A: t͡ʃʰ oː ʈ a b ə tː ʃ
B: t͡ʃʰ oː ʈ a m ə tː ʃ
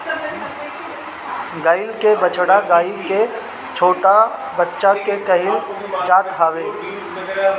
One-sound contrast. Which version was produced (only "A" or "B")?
A